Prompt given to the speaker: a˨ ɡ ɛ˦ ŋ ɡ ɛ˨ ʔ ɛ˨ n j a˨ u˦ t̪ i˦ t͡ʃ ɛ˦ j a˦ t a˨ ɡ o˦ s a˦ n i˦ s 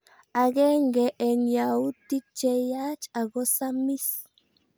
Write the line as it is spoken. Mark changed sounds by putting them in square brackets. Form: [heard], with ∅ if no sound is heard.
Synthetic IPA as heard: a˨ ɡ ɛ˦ ŋ ɡ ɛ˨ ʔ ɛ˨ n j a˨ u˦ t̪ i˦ t͡ʃ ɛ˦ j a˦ [t͡ʃ] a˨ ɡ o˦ s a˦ [m] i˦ s